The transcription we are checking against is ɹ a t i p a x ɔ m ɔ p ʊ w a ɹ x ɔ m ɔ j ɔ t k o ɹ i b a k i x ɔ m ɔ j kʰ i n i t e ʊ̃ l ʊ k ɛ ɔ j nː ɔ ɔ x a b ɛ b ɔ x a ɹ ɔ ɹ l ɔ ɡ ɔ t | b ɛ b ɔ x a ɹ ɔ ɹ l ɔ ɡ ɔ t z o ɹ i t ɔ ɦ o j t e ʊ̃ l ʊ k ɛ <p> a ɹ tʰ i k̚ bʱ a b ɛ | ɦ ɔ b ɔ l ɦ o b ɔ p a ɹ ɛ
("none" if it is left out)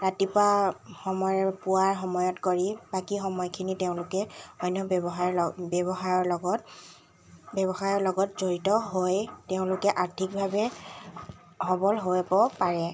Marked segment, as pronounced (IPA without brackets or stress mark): ʔ